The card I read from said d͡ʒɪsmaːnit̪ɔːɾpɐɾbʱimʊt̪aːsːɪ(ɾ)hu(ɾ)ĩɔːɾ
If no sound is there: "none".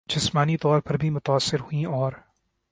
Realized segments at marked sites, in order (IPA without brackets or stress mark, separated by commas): ɾ, none